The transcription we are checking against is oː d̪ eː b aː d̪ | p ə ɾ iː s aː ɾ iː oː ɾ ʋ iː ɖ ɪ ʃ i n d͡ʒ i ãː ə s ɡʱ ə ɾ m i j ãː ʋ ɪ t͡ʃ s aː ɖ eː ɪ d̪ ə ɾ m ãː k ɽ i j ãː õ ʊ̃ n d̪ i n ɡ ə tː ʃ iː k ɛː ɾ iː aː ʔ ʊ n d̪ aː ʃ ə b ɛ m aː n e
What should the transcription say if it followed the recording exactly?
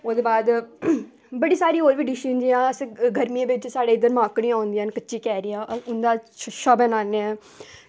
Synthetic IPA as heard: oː d̪ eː b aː d̪ | b ə ɽ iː s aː ɾ iː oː ɾ ʋ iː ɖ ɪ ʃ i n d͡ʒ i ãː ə s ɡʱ ə ɾ m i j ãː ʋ ɪ t͡ʃ s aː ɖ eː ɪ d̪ ə ɾ m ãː k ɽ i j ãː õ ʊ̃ n d̪ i n k ə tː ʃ iː k ɛː ɾ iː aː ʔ ʊ n d̪ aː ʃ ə b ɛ n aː n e